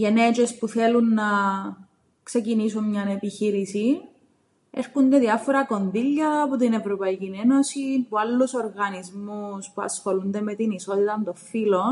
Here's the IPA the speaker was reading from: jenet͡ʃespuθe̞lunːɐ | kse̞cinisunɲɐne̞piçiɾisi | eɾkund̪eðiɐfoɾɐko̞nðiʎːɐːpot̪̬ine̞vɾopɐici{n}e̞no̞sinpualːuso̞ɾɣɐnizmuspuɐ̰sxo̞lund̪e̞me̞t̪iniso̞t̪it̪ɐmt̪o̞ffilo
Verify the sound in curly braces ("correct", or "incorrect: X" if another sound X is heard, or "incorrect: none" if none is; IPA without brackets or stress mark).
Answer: correct